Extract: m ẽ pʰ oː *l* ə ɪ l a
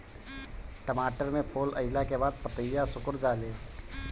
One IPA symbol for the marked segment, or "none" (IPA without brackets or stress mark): l